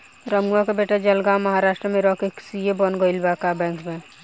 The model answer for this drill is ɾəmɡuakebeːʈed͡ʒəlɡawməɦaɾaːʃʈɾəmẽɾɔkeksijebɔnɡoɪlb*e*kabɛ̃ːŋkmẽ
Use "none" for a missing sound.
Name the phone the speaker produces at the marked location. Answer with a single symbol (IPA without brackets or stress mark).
a